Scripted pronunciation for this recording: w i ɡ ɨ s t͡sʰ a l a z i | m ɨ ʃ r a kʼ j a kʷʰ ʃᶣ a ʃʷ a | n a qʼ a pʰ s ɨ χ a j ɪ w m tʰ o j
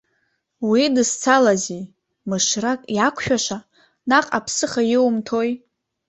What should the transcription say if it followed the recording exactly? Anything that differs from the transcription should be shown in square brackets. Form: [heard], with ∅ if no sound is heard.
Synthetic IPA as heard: w i [d] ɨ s t͡sʰ a l a z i | m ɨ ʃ r a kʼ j a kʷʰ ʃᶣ a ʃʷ a | n a qʼ a pʰ s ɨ χ a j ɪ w m tʰ o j